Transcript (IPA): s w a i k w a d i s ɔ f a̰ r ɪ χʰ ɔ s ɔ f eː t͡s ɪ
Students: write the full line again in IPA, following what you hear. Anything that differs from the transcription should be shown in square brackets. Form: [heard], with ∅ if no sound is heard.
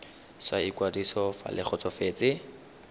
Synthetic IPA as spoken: s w a i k w a d i s ɔ f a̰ [l] ɪ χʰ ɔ [t͡s] ɔ f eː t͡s ɪ